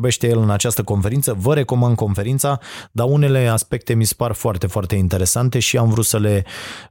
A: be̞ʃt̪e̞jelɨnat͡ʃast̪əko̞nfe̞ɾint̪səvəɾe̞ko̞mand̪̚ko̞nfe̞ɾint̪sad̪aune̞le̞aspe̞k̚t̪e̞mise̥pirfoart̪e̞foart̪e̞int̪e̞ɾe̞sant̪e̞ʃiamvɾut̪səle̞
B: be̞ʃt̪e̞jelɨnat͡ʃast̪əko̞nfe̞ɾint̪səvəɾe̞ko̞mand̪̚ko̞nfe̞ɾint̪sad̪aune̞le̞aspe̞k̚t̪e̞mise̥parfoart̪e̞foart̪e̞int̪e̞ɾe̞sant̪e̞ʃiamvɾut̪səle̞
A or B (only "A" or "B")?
B